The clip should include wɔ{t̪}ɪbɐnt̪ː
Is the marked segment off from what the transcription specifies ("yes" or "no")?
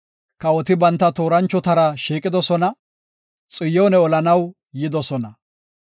no